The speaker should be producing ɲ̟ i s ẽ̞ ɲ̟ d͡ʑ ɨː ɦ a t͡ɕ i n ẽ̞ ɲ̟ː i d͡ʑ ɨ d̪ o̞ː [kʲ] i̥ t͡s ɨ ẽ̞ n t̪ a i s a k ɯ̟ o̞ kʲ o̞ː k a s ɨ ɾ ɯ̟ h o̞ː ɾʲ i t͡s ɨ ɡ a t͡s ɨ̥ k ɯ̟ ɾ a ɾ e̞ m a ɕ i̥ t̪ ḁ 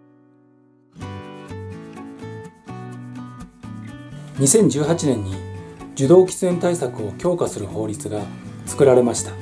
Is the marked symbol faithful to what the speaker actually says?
yes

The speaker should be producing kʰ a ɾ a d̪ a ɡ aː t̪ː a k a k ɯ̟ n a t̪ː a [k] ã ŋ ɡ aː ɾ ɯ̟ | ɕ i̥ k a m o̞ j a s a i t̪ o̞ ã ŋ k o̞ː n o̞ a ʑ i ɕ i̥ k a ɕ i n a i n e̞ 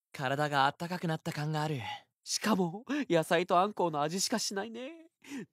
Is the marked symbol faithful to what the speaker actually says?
yes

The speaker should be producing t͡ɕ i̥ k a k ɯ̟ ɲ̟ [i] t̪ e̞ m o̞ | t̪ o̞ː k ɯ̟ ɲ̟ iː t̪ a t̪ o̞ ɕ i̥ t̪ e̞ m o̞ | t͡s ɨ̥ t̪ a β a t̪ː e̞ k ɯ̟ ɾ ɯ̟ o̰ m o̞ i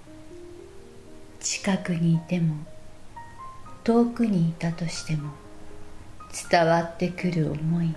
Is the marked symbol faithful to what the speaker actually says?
no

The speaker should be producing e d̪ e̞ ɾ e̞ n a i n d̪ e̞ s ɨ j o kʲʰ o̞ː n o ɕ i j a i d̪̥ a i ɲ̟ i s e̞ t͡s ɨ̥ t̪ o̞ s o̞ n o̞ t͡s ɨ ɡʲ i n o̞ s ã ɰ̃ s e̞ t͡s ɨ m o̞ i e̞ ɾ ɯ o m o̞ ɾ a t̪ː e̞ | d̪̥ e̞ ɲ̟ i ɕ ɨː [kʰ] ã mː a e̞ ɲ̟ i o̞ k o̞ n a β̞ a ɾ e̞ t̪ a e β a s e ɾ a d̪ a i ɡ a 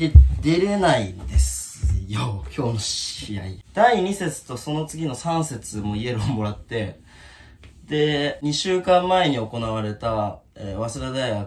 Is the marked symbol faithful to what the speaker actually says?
no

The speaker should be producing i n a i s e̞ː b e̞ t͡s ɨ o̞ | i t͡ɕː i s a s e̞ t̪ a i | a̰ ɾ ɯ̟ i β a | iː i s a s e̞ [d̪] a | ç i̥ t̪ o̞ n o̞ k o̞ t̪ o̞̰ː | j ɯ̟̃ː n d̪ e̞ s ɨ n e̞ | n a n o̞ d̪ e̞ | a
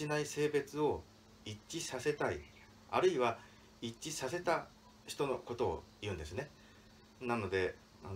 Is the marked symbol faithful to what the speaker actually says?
no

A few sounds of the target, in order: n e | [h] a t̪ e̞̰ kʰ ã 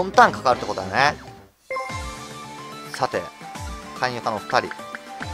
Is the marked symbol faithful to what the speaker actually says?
no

